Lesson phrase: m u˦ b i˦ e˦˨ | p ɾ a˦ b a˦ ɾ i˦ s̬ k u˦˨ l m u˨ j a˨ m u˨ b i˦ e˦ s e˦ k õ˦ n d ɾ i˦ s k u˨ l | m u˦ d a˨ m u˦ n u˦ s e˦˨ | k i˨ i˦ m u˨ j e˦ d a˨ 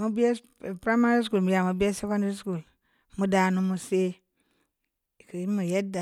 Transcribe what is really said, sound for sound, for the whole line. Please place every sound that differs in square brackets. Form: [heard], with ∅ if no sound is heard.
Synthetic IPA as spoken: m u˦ b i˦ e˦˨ | p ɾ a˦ [m] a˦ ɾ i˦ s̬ k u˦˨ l m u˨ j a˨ m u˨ b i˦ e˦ s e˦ k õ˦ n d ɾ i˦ s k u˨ l | m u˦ d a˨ [n] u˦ [m] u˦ s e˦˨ | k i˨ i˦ m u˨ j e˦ d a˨